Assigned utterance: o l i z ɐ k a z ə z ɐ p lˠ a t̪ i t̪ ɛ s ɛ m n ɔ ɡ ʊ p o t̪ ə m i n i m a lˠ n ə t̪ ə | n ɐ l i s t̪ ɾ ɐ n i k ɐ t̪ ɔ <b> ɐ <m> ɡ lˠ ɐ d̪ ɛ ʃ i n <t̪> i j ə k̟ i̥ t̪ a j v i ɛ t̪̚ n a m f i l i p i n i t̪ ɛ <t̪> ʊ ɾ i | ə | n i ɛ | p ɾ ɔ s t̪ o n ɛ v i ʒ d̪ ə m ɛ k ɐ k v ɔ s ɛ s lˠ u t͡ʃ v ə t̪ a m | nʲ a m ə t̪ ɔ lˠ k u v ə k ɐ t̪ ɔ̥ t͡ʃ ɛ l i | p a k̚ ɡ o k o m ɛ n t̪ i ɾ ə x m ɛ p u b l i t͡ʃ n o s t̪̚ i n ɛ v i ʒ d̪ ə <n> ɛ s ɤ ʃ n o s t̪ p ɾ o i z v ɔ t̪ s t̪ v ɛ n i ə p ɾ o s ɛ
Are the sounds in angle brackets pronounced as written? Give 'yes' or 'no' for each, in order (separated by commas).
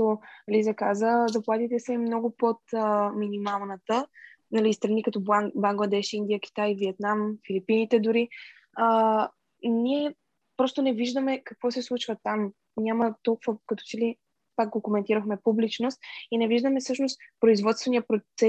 yes, no, no, no, no